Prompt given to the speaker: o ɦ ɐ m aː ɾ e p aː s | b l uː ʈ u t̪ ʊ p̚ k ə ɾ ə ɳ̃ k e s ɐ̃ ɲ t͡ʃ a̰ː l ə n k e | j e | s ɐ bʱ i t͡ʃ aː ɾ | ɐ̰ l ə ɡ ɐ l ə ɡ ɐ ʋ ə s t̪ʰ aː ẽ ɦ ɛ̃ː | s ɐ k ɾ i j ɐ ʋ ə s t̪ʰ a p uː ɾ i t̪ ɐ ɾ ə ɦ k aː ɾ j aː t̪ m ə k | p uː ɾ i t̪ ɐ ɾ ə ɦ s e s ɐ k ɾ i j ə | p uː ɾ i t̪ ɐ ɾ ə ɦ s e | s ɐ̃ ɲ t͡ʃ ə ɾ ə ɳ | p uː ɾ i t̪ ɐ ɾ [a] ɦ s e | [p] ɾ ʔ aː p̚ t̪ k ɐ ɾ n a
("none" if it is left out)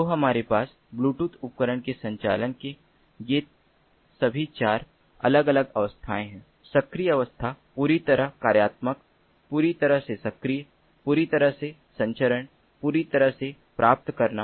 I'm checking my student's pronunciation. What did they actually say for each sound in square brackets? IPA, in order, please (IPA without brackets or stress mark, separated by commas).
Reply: ə, p